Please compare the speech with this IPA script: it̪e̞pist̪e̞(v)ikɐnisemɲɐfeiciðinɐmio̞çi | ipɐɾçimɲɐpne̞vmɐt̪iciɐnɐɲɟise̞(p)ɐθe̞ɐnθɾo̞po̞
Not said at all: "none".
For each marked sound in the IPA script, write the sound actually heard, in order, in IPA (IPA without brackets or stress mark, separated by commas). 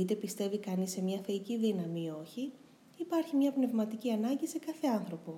v, k